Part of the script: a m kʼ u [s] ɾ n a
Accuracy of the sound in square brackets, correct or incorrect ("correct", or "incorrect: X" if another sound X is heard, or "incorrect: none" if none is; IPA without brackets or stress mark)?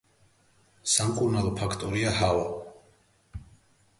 incorrect: none